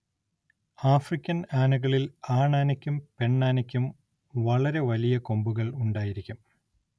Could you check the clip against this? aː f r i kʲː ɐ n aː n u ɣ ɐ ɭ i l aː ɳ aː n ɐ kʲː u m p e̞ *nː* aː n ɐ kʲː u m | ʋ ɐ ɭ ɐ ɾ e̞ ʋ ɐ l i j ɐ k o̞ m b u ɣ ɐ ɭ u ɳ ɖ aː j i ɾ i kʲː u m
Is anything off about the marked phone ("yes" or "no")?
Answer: yes